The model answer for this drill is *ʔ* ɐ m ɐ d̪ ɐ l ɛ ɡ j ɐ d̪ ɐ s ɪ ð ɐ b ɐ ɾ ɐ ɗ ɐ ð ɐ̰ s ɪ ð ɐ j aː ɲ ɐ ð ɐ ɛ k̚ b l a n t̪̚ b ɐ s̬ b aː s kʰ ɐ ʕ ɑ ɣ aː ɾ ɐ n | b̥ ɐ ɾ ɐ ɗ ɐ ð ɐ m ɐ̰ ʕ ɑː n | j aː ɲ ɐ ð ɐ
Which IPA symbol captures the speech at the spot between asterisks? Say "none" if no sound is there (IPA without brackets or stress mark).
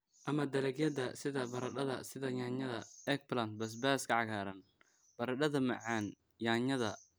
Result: ʔ